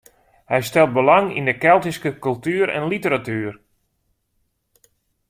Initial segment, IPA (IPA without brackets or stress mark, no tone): h